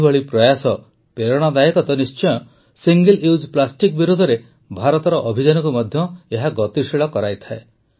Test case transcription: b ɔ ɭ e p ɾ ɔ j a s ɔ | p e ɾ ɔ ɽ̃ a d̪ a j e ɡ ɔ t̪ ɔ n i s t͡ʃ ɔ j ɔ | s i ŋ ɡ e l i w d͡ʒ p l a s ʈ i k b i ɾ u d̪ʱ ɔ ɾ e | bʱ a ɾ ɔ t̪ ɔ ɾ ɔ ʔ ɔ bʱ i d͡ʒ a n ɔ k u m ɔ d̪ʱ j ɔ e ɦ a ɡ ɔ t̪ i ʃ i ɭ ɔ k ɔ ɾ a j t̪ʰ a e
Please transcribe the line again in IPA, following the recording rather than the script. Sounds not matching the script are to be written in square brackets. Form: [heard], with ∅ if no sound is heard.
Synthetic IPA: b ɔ ɭ [i] p ɾ ɔ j a s ɔ | p e ɾ ɔ ɽ̃ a d̪ a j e [k] ɔ t̪ ɔ n i s t͡ʃ ɔ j ɔ | s i ŋ ɡ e l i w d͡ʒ p l a s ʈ i k b i ɾ u d̪ʱ ɔ ɾ e | bʱ a ɾ ɔ t̪ ɔ ɾ ɔ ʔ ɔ bʱ i d͡ʒ a n ɔ k u m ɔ d̪ʱ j ɔ e ɦ a ɡ ɔ t̪ i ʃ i ɭ ɔ k ɔ ɾ a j t̪ʰ a e